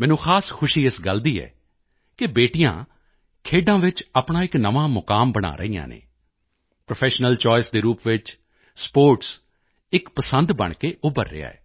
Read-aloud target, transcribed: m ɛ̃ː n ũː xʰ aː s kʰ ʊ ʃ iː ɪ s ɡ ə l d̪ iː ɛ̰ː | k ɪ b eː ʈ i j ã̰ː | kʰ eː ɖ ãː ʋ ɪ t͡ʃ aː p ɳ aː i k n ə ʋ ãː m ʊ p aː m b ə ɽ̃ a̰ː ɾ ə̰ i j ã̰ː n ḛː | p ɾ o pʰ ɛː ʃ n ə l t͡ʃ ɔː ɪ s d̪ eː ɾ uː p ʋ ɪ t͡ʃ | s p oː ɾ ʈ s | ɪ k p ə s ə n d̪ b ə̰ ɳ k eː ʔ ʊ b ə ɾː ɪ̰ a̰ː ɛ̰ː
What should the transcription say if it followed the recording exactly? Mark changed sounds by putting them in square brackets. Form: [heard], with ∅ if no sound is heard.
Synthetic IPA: m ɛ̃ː n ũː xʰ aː s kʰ ʊ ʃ iː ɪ s ɡ ə l d̪ iː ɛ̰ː | k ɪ b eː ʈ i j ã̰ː | kʰ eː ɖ ãː ʋ ɪ t͡ʃ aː p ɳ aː [ɪ] k n ə ʋ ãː m ʊ [k] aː m b ə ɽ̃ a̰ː ɾ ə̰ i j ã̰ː n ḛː | p ɾ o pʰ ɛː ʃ n ə l t͡ʃ ɔː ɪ s d̪ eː ɾ uː p ʋ ɪ t͡ʃ | s p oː ɾ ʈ s | ɪ k p ə s ə n d̪ b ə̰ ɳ k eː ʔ ʊ b ə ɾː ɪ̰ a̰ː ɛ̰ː